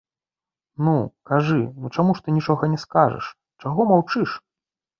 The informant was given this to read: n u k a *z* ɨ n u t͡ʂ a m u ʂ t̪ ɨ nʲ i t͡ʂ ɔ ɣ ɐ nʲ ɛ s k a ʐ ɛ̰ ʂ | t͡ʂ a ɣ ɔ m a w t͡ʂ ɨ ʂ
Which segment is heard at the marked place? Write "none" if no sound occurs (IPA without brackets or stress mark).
ʐ